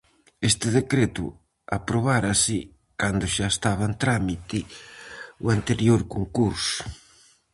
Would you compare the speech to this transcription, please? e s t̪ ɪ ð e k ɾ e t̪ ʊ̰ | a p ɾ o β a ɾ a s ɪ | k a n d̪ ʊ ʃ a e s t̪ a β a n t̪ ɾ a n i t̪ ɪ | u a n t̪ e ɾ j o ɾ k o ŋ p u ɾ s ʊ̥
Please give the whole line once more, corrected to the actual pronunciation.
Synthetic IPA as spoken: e s t̪ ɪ ð e k ɾ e t̪ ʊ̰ | a p ɾ o β a ɾ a s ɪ | k a n d̪ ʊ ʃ a e s t̪ a β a n t̪ ɾ a m i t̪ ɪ | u a n t̪ e ɾ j o ɾ k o ŋ k u ɾ s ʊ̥